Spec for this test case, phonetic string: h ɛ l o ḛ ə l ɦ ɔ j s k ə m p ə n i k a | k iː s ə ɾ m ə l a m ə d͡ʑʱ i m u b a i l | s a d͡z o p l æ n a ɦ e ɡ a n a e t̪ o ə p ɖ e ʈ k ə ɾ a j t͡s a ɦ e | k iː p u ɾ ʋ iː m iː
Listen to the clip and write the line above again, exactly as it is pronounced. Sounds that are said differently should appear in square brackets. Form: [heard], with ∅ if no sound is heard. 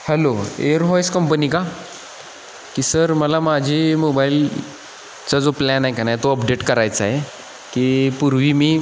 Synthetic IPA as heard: h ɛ l o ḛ ə [ɾ] ɦ ɔ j s k ə m p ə n i k a | k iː s ə ɾ m ə l a m [a] d͡ʑʱ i m [o] b a i l | [t͡s] a d͡z o p l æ n a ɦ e [k] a n a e t̪ o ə p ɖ e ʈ k ə ɾ a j t͡s a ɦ e | k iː p u ɾ ʋ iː m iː